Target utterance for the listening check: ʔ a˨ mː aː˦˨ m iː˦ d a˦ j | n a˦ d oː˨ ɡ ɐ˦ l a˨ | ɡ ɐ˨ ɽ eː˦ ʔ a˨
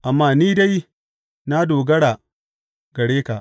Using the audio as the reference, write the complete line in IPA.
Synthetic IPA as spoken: ʔ a˨ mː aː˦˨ n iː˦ d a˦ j | n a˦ d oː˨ ɡ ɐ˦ ɽ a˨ | ɡ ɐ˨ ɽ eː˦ k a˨

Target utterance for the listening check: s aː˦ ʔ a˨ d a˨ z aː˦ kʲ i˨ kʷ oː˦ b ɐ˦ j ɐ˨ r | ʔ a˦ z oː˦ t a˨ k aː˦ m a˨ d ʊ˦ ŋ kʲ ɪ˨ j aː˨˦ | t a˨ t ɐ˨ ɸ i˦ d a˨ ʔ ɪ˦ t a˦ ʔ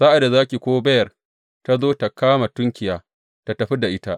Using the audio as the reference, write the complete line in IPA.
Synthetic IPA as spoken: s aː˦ ʔ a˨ d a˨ z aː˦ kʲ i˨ kʷ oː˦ b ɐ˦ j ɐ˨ r | t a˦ z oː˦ t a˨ k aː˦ m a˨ t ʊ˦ ŋ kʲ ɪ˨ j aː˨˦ | t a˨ t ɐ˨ ɸ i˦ d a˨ ʔ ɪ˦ t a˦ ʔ

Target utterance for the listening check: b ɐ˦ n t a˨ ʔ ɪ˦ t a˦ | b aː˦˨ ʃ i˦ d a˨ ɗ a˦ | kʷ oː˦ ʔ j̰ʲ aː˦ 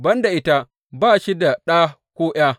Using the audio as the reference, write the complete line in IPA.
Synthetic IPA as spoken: b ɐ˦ n d a˨ ʔ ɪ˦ t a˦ | b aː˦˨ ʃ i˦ d a˨ ɗ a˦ | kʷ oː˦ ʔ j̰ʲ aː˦

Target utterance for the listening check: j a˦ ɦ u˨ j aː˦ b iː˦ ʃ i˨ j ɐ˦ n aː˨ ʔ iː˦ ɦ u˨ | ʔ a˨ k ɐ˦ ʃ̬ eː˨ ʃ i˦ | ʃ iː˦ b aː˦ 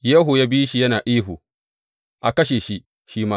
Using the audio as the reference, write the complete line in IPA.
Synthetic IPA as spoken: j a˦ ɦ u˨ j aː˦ b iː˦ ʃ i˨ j ɐ˦ n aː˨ ʔ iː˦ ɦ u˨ | ʔ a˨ k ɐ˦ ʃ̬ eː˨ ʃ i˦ | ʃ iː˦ m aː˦

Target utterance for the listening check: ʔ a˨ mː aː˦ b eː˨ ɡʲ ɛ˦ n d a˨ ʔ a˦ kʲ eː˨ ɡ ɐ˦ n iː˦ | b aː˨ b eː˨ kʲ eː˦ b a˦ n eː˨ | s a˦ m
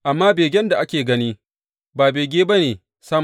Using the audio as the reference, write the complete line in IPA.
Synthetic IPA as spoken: ʔ a˨ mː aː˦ b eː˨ ɡʲ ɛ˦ n d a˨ ʔ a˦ kʲ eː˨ ɡ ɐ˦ n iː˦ | b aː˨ b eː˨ ɡʲ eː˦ b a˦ n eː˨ | s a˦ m

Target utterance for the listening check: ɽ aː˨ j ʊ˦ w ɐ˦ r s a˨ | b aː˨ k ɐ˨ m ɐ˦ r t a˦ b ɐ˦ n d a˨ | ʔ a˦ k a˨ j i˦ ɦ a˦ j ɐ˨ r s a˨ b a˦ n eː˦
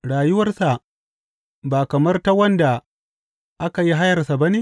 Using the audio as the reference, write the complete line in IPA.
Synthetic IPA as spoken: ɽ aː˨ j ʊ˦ w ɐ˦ r s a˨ | b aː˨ k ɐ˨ m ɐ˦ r t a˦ w ɐ˦ n d a˨ | ʔ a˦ k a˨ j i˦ ɦ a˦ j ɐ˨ r s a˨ b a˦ n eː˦

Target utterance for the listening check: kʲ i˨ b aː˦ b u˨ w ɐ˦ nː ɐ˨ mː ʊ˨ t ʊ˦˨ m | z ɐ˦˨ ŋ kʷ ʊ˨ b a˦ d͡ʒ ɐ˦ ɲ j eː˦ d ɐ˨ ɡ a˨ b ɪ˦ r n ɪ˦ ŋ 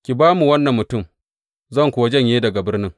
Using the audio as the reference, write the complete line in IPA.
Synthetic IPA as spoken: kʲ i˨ b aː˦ m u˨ w ɐ˦ nː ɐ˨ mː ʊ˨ t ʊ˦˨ m | z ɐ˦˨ ŋ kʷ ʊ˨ w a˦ d͡ʒ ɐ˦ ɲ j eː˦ d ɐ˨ ɡ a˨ b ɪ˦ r n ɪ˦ ŋ

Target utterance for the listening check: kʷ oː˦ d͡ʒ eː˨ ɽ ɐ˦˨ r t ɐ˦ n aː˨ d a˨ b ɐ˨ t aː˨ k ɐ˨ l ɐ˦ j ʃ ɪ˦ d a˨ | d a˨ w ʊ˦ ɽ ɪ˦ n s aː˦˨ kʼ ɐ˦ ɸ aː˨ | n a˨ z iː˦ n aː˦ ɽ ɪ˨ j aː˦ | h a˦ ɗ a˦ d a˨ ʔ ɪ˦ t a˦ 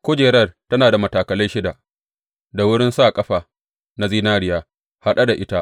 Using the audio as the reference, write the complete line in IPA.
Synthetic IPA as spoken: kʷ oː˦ d͡ʒ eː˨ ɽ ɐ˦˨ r t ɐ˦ n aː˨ d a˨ m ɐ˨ t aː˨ k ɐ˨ l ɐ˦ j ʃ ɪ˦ d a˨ | d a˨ w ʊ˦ ɽ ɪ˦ n s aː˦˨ kʼ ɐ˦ ɸ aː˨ | n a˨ z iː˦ n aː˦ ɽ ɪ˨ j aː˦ | h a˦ ɗ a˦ d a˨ ʔ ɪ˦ t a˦

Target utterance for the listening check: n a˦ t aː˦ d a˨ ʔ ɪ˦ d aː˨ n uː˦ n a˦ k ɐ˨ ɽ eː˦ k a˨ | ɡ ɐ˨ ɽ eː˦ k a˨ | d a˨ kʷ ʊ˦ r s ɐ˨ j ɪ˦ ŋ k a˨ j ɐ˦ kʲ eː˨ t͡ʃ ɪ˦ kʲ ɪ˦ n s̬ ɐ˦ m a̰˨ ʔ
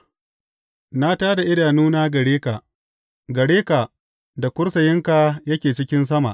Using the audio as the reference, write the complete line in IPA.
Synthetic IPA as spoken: n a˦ t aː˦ d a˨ ʔ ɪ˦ d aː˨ n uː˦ n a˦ ɡ ɐ˨ ɽ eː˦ k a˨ | ɡ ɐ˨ ɽ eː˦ k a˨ | d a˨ kʷ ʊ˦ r s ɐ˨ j ɪ˦ ŋ k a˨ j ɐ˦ kʲ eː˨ t͡ʃ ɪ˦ kʲ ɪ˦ n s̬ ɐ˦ m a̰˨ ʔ

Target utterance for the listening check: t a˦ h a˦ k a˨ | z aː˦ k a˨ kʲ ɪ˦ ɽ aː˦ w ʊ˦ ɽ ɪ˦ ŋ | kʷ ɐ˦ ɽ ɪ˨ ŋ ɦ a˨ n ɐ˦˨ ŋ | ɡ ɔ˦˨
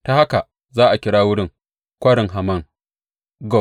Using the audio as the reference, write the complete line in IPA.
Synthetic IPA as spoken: t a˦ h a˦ k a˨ | z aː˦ ʔ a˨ kʲ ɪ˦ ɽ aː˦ w ʊ˦ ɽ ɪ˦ ŋ | kʷ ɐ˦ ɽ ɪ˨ ŋ ɦ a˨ m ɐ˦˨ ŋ | ɡ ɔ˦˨

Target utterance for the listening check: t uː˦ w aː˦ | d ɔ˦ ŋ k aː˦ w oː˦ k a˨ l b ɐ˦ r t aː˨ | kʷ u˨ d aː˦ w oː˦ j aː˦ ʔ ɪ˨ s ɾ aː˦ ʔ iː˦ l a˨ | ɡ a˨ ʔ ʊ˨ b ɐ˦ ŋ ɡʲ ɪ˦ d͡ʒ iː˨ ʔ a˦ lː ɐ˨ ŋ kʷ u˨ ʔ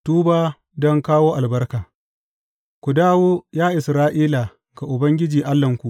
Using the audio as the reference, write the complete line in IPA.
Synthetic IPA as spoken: t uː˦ b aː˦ | d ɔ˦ ŋ k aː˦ w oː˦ ʔ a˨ l b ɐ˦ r k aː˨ | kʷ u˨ d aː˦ w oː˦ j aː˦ ʔ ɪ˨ s ɾ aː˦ ʔ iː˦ l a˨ | ɡ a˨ ʔ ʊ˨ b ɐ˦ ŋ ɡʲ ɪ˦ d͡ʒ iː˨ ʔ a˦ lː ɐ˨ ŋ kʷ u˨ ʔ

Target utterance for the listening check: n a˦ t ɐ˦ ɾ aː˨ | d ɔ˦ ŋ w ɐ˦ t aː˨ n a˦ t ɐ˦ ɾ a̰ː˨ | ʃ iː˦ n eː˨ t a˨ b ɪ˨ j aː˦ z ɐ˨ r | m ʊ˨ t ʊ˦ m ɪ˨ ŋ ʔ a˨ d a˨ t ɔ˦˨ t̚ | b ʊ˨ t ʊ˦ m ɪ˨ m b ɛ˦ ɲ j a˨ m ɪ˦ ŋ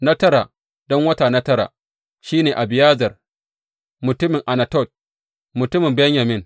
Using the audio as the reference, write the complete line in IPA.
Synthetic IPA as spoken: n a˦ t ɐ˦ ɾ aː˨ | d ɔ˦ ŋ w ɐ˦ t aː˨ n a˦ t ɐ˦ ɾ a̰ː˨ | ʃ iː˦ n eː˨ ʔ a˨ b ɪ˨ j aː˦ z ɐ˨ r | m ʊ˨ t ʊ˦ m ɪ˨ ŋ ʔ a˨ n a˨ t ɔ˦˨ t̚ | m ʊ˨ t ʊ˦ m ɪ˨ m b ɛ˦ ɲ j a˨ m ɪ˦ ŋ

